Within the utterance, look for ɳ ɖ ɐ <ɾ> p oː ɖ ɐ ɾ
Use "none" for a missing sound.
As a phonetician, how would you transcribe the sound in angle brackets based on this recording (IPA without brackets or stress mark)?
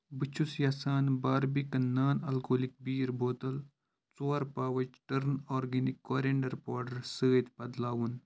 ɾ